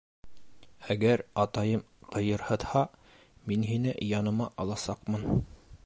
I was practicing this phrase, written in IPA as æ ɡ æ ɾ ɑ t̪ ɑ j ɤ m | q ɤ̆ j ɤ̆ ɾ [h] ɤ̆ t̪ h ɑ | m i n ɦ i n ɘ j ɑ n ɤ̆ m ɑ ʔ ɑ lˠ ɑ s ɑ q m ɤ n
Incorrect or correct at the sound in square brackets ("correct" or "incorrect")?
correct